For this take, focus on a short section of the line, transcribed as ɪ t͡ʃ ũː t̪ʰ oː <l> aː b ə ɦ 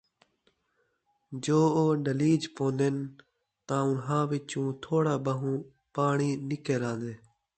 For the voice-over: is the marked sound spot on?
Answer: no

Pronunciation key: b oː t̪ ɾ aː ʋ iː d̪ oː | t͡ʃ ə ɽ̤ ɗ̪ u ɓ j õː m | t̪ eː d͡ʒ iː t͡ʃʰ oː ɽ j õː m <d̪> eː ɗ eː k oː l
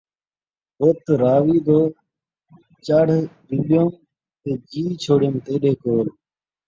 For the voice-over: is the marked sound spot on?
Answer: no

